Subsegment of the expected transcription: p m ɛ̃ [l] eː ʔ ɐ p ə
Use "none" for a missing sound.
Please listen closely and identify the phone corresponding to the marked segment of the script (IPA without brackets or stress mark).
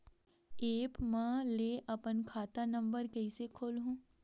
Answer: l